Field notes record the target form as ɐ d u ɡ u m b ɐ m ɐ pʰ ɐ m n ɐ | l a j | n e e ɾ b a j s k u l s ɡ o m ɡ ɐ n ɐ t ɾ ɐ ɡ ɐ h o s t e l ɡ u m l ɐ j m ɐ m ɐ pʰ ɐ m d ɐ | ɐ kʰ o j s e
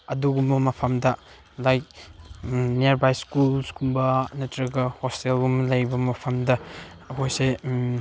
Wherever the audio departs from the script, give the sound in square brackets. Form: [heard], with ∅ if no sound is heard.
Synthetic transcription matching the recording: ɐ d u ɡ u m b ɐ m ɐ pʰ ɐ m [d] ɐ | l a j | n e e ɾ b a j s k u l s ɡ [u] m [b] ɐ n ɐ t ɾ ɐ ɡ ɐ h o s t e l ɡ u m l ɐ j [b] ɐ m ɐ pʰ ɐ m d ɐ | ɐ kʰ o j s e